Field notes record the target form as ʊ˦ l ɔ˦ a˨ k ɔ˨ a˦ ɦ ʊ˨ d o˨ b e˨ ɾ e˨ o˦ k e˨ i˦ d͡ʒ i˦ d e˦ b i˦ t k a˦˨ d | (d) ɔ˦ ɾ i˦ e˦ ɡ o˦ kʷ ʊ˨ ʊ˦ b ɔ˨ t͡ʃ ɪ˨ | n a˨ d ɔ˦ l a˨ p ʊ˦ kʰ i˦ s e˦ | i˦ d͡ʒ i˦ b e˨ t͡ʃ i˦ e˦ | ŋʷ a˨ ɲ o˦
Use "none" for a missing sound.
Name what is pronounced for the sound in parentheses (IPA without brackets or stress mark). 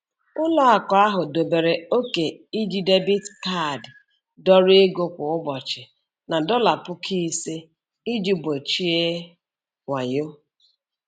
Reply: d